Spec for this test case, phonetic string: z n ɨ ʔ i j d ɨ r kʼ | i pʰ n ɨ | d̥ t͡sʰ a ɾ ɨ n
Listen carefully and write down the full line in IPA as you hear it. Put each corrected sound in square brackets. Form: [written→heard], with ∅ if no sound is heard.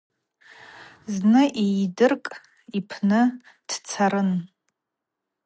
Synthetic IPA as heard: z n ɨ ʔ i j d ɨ r kʼ | i pʰ n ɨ | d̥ t͡sʰ a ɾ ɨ n